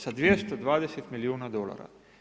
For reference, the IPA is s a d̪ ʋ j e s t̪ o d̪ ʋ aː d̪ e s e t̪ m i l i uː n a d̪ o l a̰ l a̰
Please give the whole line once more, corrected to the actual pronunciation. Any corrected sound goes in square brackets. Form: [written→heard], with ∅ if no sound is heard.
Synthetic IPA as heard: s a d̪ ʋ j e s t̪ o d̪ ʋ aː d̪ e s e t̪ m i l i uː n a d̪ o l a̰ [l→ɾ] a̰